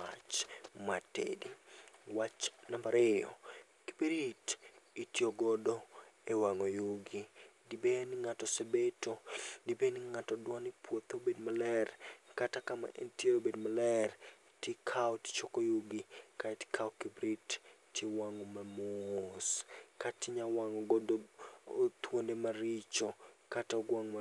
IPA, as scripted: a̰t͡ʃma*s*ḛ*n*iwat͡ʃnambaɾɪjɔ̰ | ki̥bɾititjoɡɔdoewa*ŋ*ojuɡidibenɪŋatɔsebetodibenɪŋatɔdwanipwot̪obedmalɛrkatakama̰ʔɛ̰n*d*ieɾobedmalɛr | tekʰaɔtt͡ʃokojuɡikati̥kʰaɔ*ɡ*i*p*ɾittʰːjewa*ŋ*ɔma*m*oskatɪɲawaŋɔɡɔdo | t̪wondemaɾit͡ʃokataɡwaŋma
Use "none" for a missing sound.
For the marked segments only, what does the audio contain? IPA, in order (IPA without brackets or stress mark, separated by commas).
t, d, ŋ, t, k, b, ŋ, m